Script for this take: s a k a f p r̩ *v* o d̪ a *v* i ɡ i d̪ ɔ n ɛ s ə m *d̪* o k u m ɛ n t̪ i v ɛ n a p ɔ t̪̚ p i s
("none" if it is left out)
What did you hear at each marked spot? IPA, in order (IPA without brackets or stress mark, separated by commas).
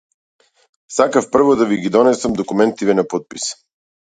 v, v, d̪